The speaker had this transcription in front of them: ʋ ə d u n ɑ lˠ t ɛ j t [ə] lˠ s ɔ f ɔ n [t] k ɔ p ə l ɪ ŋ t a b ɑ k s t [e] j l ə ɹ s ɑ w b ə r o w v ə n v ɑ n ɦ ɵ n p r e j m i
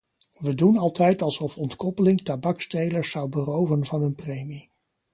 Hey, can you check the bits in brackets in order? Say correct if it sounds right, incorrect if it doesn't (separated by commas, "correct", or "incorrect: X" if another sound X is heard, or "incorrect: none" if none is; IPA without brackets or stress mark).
incorrect: ɑ, correct, correct